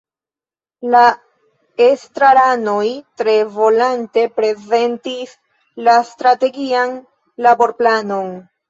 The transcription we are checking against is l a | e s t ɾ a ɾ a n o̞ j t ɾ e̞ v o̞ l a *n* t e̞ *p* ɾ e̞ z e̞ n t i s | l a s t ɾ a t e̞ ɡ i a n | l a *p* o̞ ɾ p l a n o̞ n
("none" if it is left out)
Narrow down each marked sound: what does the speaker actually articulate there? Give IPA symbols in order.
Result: n, p, b

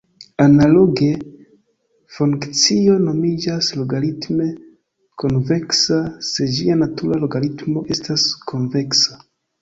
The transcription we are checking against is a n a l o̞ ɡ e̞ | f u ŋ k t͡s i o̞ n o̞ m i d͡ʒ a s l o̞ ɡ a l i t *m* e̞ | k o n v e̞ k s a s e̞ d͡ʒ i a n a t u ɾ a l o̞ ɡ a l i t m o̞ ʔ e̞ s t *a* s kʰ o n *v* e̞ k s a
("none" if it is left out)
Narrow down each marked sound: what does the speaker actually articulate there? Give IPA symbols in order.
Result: m, a, v

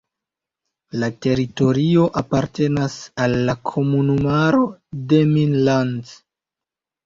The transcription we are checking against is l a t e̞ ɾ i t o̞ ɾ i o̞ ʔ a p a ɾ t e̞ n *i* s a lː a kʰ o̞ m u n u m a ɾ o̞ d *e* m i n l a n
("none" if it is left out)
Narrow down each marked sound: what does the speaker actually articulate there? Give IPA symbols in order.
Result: a, e

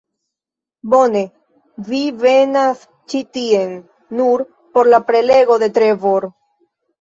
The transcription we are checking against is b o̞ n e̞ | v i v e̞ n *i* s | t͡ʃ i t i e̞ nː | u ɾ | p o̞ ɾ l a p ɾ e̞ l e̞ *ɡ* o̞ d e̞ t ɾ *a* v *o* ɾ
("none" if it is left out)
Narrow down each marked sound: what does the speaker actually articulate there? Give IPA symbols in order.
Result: a, ɡ, e, o

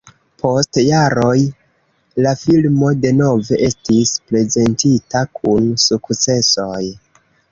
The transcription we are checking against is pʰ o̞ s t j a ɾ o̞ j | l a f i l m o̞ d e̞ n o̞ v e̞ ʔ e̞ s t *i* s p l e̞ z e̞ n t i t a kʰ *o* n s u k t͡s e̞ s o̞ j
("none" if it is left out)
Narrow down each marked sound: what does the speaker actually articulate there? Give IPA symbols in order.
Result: i, u

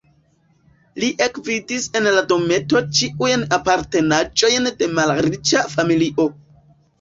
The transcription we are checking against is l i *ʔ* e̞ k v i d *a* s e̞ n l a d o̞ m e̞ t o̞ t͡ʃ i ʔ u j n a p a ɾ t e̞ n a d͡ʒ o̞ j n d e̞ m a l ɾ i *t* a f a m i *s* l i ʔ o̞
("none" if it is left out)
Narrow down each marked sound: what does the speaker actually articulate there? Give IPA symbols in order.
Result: ʔ, i, t͡ʃ, none

